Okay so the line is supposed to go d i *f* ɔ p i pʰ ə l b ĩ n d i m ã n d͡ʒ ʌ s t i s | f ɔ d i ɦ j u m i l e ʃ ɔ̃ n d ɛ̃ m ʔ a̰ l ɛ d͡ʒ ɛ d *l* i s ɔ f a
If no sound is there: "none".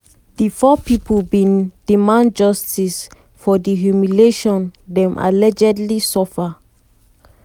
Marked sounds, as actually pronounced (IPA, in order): f, l

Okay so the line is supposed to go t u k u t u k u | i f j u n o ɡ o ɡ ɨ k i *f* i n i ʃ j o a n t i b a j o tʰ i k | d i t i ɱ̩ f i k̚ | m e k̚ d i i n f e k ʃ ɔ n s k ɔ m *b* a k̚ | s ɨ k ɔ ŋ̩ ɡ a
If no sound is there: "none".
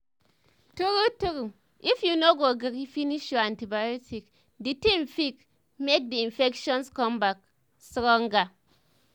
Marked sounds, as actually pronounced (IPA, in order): f, b

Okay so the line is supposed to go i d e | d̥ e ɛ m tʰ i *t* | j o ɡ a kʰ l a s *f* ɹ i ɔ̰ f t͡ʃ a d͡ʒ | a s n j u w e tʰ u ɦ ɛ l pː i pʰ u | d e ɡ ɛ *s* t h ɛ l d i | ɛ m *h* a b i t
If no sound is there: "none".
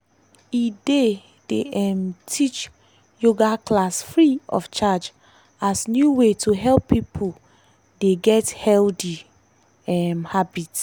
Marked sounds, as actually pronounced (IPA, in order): t͡ʃ, f, none, h

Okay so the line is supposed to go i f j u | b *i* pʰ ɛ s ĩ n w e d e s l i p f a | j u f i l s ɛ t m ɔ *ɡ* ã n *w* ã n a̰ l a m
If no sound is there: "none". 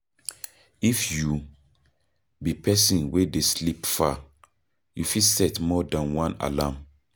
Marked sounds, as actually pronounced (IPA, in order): i, d, w

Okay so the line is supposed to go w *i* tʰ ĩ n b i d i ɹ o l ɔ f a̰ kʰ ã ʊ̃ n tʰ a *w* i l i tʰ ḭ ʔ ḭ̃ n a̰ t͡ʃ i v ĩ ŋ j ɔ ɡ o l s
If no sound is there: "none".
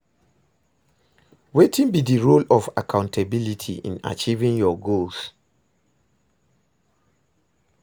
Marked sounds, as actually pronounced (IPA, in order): e, b

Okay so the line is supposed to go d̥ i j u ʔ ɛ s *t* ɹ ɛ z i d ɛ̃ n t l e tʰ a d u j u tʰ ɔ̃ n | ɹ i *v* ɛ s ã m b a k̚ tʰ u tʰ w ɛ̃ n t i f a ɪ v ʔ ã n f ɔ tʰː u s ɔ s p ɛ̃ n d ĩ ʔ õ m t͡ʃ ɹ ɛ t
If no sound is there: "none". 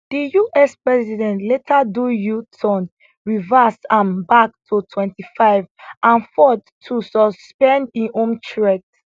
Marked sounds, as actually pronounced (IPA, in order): p, v

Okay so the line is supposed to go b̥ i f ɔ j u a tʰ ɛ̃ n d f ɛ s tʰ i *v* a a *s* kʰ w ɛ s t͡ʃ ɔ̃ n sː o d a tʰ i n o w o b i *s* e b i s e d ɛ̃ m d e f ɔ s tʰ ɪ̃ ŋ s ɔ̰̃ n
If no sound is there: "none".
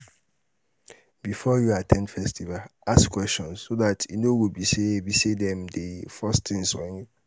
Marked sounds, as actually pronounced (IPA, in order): v, s, s

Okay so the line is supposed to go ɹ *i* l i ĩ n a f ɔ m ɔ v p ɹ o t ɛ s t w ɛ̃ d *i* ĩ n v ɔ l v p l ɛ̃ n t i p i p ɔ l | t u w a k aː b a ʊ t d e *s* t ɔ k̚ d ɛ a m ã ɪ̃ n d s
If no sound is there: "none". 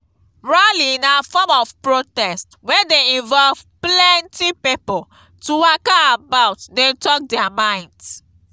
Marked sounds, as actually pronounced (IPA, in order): a, e, none

